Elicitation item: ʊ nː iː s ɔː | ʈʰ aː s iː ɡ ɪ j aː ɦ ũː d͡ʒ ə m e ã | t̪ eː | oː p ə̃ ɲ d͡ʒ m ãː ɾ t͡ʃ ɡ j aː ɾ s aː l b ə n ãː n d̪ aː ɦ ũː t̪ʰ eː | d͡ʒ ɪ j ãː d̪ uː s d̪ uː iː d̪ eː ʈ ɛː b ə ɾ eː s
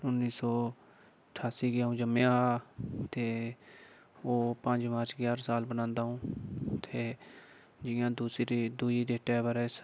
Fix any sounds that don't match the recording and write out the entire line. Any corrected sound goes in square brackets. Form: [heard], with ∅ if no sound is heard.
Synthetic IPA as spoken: ʊ nː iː s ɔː | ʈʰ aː s iː ɡ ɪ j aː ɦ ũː d͡ʒ ə m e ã | t̪ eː | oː p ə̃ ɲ d͡ʒ m [aː] ɾ t͡ʃ ɡ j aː ɾ s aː l b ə n ãː n d̪ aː ɦ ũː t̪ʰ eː | d͡ʒ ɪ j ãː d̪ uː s d̪ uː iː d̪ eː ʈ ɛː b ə ɾ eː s